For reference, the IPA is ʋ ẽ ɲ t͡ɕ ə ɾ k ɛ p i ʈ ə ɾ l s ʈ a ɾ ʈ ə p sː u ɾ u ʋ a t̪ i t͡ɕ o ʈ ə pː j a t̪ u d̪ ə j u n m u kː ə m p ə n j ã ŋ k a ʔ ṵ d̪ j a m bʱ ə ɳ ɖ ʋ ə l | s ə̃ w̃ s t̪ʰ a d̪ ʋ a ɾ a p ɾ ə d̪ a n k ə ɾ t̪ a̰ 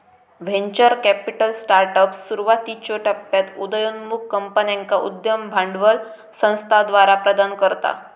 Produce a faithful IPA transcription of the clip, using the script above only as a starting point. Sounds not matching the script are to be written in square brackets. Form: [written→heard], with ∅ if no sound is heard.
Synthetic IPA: ʋ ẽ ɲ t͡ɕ ə ɾ k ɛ p i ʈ ə [ɾ→∅] l s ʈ a ɾ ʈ ə p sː u ɾ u ʋ a t̪ i t͡ɕ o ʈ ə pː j a t̪ u d̪ ə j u n m u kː ə m p ə n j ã ŋ k a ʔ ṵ d̪ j [a→ə] m bʱ [ə→a] ɳ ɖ ʋ ə l | s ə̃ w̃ s t̪ʰ a d̪ ʋ a ɾ a p ɾ ə d̪ a n k ə ɾ t̪ a̰

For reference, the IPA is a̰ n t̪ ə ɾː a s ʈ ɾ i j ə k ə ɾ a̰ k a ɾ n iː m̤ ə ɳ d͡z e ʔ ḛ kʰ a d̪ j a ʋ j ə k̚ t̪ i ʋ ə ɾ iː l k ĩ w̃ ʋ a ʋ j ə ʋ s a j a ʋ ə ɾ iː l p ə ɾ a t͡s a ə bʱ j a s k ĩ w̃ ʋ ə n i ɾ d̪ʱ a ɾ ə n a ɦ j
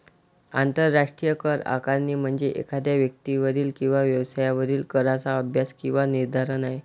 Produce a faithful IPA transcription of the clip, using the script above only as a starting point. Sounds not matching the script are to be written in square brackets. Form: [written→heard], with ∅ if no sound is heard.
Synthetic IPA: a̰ n t̪ ə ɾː a [s→ʂ] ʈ ɾ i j ə k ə ɾ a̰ k a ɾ n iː m̤ ə ɳ d͡z e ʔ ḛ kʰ a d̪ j a ʋ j ə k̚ t̪ i ʋ ə ɾ iː l k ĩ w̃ ʋ a ʋ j ə ʋ s a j a ʋ ə ɾ iː l [p→k] ə ɾ a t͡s a ə bʱ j a s k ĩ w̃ ʋ [ə→a] n i ɾ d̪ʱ a ɾ ə n a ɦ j

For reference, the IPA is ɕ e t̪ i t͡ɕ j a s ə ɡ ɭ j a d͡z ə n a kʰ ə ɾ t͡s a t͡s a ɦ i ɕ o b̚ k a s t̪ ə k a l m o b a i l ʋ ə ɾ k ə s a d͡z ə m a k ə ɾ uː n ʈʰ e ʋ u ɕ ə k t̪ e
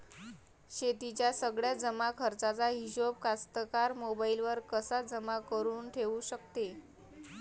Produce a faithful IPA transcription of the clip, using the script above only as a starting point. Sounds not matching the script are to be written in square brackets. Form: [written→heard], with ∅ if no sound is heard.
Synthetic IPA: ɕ e t̪ i t͡ɕ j a s ə ɡ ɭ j a d͡z ə [n→m] a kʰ ə ɾ t͡s a t͡s a ɦ i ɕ o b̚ k a s t̪ ə k a [l→ɾ] m o b a i l ʋ ə ɾ k ə s a d͡z ə m a k ə ɾ uː n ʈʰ e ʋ u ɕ ə k t̪ e

